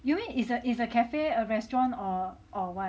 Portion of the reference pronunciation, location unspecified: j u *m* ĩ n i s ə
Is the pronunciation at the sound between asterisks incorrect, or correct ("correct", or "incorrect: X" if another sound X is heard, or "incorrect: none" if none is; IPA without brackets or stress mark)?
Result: correct